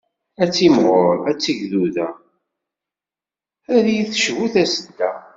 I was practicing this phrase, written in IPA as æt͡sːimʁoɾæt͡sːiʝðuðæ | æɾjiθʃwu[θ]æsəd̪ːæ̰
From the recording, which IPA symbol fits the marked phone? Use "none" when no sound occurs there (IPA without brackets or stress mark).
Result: θ